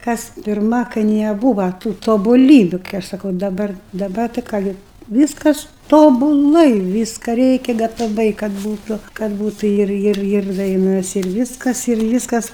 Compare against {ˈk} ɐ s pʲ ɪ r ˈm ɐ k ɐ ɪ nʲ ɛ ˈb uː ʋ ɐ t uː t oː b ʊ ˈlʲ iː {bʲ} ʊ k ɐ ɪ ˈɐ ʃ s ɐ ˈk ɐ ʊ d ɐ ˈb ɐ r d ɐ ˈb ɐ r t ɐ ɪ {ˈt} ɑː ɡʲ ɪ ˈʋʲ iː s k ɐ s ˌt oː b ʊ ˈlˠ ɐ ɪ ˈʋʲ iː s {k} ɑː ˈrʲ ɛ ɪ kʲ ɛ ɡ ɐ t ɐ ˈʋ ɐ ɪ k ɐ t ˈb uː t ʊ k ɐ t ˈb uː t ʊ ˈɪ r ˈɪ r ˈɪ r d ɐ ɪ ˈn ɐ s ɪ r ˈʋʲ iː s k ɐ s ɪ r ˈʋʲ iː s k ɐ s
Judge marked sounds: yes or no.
yes, yes, no, yes

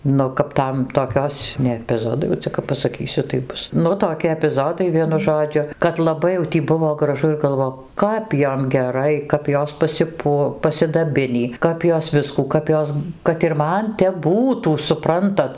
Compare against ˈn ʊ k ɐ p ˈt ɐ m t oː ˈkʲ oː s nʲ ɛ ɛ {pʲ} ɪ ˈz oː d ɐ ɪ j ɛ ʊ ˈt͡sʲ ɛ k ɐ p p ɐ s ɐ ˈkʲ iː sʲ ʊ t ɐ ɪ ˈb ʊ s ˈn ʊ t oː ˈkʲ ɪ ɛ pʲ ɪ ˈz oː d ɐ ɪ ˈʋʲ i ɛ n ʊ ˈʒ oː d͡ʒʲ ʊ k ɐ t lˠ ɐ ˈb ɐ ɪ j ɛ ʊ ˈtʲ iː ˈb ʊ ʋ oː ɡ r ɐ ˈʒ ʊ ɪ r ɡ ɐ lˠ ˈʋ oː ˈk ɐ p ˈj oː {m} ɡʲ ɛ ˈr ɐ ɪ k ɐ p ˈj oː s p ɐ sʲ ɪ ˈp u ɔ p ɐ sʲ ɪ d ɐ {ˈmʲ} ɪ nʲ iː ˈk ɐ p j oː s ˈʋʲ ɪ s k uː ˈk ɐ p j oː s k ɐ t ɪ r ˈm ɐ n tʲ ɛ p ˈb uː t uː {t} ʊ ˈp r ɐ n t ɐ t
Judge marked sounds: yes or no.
yes, yes, no, no

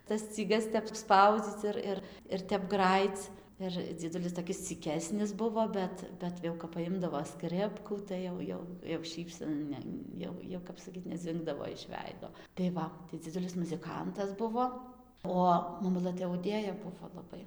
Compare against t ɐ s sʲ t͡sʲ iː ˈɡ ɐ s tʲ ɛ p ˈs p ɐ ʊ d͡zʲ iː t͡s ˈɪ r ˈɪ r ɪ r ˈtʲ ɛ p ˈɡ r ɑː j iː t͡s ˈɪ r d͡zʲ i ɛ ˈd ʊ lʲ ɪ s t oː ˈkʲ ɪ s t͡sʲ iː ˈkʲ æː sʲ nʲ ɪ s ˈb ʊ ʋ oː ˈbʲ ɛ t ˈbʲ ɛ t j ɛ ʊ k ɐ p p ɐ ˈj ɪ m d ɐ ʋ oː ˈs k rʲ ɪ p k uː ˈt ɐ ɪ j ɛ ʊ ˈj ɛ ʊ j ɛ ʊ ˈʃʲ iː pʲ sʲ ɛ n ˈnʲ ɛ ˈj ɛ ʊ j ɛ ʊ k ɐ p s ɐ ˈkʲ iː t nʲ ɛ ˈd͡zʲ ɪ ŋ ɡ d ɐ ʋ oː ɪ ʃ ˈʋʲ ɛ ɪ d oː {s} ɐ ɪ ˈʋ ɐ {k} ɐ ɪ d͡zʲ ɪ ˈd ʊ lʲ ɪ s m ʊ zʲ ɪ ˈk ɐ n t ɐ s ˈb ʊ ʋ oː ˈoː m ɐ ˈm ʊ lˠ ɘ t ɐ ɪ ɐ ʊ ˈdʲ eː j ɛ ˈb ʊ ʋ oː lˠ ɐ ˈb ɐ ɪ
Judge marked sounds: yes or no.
no, no

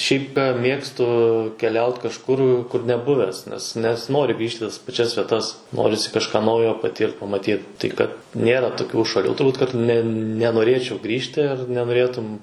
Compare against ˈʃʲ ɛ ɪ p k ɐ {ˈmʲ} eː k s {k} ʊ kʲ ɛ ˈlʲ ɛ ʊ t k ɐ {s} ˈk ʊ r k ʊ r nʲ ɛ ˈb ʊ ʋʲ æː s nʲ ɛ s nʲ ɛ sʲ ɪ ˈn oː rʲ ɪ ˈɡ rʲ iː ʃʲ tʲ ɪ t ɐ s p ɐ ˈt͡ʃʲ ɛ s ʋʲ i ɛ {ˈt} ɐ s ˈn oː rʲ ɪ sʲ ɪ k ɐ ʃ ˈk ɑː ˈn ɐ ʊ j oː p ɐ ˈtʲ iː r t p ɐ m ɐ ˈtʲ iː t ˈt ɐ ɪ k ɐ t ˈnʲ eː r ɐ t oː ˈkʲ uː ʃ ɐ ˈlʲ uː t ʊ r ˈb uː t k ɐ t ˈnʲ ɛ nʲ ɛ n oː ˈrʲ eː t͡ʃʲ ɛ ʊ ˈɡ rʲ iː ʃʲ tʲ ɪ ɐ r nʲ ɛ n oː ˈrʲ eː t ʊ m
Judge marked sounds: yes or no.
yes, no, no, yes

